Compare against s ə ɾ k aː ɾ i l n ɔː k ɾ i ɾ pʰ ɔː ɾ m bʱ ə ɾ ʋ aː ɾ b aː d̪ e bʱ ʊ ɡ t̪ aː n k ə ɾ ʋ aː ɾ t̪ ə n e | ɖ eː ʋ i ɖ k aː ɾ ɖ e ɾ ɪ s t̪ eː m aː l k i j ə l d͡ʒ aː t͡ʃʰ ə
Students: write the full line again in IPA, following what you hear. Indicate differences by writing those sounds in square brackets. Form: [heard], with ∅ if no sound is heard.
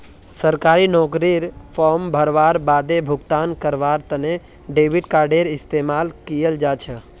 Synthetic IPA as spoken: s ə ɾ k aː ɾ i [∅] n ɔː k ɾ i ɾ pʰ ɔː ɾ m bʱ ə ɾ ʋ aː ɾ b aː d̪ e bʱ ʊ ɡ t̪ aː n k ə ɾ ʋ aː ɾ t̪ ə n e | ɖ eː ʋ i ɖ k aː ɾ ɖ e ɾ ɪ s t̪ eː m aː l k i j ə l d͡ʒ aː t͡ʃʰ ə

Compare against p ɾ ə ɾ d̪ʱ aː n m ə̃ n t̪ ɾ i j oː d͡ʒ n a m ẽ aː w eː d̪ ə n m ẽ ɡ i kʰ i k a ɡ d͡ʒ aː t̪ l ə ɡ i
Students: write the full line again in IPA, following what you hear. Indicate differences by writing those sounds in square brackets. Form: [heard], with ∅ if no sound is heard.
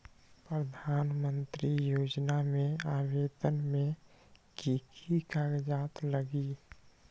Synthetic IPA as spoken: p ɾ ə [∅] d̪ʱ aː n m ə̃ n t̪ ɾ i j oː d͡ʒ n a m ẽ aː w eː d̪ ə n m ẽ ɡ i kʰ i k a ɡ d͡ʒ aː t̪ l ə ɡ i

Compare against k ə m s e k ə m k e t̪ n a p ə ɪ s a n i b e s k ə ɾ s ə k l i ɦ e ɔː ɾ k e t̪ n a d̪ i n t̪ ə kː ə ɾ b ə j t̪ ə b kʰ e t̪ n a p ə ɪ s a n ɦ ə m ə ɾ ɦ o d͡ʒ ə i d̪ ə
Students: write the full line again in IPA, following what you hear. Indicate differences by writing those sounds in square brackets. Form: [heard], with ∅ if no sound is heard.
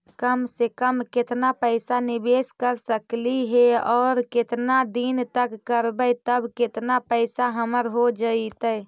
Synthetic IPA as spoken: k ə m s e k ə m k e t̪ n a p ə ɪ s a n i b e s k ə ɾ s ə k l i ɦ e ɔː ɾ k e t̪ n a d̪ i n t̪ ə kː ə ɾ b ə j t̪ ə b [k] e t̪ n a p ə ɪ s a [∅] ɦ ə m ə ɾ ɦ o d͡ʒ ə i [t̪] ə

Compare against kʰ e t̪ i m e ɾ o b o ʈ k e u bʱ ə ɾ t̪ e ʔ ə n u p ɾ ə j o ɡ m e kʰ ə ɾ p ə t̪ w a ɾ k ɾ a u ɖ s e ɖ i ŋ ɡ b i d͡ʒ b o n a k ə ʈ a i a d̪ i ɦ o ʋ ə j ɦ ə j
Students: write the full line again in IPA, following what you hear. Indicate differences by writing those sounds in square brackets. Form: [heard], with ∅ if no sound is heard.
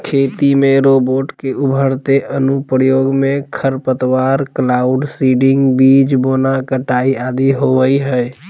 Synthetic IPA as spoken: kʰ e t̪ i m e ɾ o b o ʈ k e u bʱ ə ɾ t̪ e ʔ ə n u p ɾ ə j o ɡ m e kʰ ə ɾ p ə t̪ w a ɾ k [l] a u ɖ s [i] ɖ i ŋ ɡ b i d͡ʒ b o n a k ə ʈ a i a d̪ i ɦ o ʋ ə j ɦ ə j

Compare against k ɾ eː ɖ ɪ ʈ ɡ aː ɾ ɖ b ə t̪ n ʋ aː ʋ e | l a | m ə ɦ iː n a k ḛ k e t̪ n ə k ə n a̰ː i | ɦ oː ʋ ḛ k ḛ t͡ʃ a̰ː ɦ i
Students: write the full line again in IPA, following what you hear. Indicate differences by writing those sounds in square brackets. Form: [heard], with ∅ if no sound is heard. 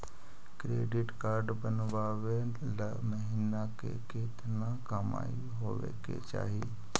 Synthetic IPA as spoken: k ɾ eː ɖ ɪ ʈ [k] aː ɾ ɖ b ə [∅] n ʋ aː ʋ e | l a | m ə ɦ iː n a k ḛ k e t̪ n [a] k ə [m] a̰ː i | ɦ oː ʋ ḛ k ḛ t͡ʃ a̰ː ɦ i

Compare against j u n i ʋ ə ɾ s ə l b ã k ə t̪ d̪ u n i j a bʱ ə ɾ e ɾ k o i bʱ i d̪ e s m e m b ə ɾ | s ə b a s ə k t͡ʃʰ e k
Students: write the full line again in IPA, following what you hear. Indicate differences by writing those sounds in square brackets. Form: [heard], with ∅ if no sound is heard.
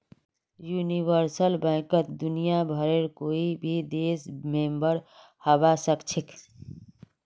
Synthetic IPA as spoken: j u n i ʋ ə ɾ s ə l b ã k ə t̪ d̪ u n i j a bʱ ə ɾ e ɾ k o i bʱ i d̪ e s m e m b ə ɾ | [h] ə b a s ə k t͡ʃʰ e k

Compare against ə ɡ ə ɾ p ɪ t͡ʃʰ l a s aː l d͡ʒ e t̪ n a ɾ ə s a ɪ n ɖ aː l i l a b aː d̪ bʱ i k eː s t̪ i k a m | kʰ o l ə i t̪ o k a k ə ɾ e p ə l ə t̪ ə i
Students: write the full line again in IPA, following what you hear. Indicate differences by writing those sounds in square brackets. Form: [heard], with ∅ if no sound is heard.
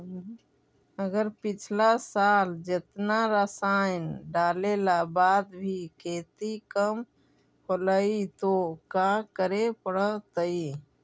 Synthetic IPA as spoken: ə ɡ ə ɾ p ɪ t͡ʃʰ l a s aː l d͡ʒ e t̪ n a ɾ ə s a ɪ n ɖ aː l [e] l a b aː d̪ bʱ i k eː [∅] t̪ i k [ə] m | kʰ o l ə i t̪ o k a k ə ɾ e p ə [ɽ] ə t̪ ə i

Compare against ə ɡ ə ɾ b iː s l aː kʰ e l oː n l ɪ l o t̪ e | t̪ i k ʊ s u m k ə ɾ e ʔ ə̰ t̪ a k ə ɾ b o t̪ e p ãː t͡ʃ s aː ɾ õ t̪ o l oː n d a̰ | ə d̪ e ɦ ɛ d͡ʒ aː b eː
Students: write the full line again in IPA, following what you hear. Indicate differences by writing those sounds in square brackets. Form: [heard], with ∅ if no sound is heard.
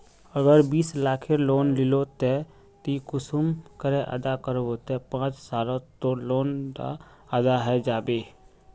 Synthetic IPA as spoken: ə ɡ ə ɾ b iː s l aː kʰ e l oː n l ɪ l o t̪ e | t̪ i k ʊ s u m k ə ɾ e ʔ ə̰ [d̪] a k ə ɾ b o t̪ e p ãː t͡ʃ s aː [l] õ t̪ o l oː n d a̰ | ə d̪ [a] ɦ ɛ d͡ʒ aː b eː

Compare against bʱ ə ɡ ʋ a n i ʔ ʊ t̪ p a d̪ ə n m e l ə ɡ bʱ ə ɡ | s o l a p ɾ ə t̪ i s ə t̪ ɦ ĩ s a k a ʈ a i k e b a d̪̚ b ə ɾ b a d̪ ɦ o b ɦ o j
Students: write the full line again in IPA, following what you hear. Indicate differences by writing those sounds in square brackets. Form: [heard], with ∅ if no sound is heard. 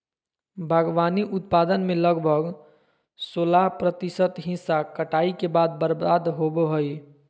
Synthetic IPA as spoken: bʱ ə ɡ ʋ a n i ʔ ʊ t̪ p a d̪ ə n m e l ə ɡ bʱ ə ɡ | s o l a p ɾ ə t̪ i s ə t̪ ɦ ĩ s a k [ə] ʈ a i k e b a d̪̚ b ə ɾ b a d̪ ɦ o b ɦ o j

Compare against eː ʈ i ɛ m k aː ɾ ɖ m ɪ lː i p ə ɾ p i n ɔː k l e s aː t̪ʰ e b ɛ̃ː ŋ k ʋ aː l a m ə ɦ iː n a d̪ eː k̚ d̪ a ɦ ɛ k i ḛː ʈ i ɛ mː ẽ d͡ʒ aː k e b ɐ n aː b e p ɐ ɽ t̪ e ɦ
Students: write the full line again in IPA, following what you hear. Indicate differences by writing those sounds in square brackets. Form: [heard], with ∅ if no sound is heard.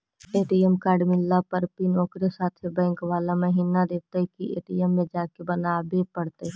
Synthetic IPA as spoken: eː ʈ i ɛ m k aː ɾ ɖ m ɪ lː [a] p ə ɾ p i n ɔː k [ɾ] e s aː t̪ʰ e b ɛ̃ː ŋ k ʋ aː l a m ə ɦ iː n a d̪ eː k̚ [t̪] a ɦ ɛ k i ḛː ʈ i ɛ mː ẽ d͡ʒ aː k e b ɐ n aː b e p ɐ ɽ t̪ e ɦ

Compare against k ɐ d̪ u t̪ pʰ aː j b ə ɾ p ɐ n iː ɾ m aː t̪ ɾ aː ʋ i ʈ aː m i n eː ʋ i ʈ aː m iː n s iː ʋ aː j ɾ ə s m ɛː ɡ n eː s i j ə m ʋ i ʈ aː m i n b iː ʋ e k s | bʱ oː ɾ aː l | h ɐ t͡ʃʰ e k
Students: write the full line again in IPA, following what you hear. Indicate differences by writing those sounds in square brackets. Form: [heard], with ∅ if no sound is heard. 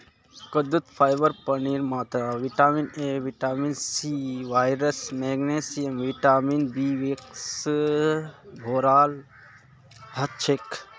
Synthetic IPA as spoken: k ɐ d̪ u t̪ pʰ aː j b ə ɾ p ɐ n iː ɾ m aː t̪ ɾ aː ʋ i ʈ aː m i n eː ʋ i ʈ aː m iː n s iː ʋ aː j ɾ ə s m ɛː ɡ n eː s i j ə m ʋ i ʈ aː m i n b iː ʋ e k s | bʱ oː ɾ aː l | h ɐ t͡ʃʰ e k

